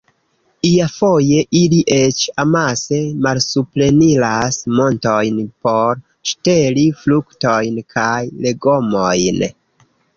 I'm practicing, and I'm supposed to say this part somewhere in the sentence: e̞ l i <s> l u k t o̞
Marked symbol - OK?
no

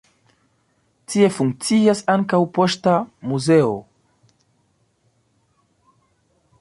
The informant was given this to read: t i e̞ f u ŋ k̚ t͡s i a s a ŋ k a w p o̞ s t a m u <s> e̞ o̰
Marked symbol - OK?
no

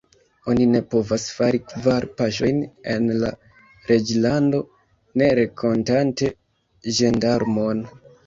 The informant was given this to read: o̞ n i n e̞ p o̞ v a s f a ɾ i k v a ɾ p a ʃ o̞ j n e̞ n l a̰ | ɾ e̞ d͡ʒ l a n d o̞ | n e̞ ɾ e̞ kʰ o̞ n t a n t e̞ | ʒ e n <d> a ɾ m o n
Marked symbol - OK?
yes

